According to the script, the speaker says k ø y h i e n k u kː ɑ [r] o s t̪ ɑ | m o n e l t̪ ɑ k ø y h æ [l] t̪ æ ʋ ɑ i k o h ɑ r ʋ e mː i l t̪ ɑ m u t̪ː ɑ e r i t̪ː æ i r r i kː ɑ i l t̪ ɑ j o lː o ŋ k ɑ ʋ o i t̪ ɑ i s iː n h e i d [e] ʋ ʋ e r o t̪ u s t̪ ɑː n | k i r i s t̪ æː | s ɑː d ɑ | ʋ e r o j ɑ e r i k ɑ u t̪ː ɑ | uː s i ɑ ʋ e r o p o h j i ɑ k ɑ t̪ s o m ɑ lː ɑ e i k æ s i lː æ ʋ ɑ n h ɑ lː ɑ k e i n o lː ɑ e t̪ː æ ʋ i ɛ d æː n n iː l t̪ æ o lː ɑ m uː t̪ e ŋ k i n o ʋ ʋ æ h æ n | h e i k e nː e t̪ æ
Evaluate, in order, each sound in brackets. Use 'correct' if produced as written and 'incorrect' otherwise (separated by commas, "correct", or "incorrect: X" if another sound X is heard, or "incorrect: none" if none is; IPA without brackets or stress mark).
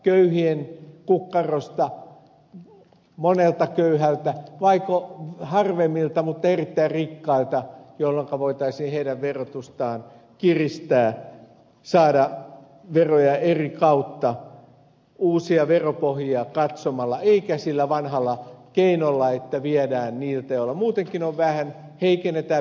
correct, correct, incorrect: æ